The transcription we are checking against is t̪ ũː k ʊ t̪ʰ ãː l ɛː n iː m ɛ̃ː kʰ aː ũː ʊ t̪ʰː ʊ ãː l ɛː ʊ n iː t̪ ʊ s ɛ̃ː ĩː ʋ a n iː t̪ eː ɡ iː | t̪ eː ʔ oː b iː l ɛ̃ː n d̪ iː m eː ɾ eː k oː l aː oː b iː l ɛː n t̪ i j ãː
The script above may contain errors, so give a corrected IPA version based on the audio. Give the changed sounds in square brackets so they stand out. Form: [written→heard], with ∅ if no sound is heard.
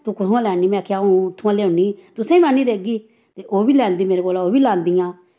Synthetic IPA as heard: t̪ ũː k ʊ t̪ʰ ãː l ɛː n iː m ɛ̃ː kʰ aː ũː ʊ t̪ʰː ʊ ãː l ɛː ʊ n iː t̪ ʊ s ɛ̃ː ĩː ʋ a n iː [t̪→d̪] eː ɡ iː | t̪ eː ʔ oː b iː l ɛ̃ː n d̪ iː m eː ɾ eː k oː l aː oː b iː l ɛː n [t̪→d̪] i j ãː